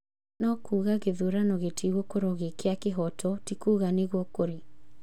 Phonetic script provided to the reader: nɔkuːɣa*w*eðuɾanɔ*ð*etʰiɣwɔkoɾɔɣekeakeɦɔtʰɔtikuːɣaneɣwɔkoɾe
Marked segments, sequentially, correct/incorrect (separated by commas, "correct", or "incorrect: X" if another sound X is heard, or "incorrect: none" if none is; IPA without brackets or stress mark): incorrect: ɣ, incorrect: ɣ